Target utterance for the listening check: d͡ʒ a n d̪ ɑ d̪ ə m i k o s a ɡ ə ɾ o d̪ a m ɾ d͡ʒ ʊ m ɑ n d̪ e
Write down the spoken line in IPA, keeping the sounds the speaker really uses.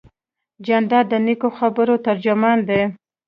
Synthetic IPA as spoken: d͡ʒ a n d̪ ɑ d̪ ə n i k o x a b ə ɾ o t̪ a ɾ d͡ʒ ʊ m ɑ n d̪ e